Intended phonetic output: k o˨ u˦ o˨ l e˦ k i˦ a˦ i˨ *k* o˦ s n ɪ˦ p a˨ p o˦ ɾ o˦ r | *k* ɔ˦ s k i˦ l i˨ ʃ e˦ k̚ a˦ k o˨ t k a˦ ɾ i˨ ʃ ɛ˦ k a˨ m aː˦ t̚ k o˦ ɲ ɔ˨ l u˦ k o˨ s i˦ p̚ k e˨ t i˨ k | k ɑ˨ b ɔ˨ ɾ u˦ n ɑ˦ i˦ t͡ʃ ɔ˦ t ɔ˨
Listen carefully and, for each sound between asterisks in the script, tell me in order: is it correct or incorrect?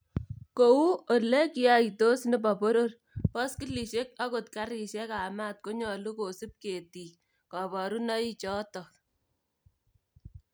incorrect, incorrect

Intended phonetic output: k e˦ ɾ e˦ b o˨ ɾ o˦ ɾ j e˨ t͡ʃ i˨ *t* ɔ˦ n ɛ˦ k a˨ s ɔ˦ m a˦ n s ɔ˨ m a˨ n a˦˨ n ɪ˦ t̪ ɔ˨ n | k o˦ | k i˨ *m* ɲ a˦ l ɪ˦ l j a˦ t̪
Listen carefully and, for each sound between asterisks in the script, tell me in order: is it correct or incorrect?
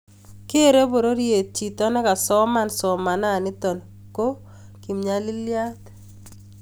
correct, correct

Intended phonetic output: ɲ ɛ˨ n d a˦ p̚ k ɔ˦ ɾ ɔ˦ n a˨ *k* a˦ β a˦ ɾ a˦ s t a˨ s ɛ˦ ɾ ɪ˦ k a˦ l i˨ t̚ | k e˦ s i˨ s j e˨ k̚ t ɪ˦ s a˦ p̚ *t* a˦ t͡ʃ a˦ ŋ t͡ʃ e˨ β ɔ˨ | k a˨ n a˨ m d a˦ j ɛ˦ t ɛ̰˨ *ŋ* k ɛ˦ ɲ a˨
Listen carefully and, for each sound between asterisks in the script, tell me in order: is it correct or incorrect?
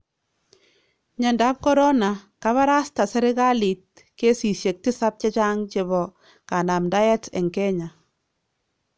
correct, incorrect, correct

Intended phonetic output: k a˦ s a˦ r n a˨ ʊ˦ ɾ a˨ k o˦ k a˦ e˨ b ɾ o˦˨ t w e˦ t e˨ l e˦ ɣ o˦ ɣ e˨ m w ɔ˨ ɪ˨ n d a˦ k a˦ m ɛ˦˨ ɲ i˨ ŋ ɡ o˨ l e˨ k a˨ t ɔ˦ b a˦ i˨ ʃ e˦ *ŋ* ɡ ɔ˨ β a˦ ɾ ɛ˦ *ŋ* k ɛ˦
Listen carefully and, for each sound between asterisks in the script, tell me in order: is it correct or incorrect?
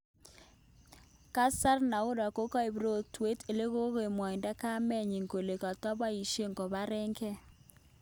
correct, correct

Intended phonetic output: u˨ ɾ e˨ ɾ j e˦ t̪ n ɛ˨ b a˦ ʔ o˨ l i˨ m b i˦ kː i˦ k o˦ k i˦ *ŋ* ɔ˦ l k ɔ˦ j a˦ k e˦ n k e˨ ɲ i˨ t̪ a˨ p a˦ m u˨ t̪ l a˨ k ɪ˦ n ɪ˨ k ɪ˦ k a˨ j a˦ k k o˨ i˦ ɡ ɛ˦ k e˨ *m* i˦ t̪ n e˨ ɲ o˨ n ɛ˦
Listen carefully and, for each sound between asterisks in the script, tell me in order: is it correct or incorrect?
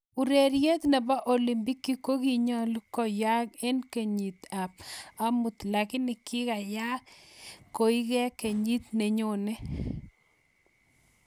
incorrect, incorrect

